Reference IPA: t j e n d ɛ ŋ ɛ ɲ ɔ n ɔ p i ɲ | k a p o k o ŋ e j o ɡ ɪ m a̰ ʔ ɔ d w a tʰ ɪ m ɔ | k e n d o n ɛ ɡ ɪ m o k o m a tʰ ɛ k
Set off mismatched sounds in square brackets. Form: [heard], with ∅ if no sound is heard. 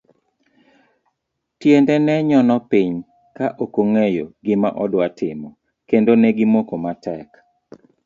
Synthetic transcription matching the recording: t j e n d ɛ [n] ɛ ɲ ɔ n ɔ p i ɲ | k a [ʔ] o k o ŋ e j o ɡ ɪ m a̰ ʔ ɔ d w a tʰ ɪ m ɔ | k e n d o n ɛ ɡ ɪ m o k o m a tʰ ɛ k